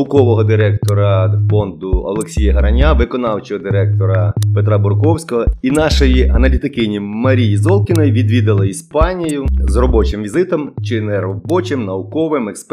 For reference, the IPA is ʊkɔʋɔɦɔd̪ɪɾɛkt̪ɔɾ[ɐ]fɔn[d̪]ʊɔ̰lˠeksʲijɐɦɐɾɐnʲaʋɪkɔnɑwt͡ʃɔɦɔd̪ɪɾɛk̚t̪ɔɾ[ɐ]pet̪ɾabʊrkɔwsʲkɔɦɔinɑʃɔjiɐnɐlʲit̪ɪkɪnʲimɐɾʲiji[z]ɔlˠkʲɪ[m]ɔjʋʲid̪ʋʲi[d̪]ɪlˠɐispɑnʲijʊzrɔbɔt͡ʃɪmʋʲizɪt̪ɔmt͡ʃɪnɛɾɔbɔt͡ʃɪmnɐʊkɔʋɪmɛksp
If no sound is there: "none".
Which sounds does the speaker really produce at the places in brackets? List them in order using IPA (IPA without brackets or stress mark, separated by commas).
ɐ, d̪, ɐ, z, n, d̪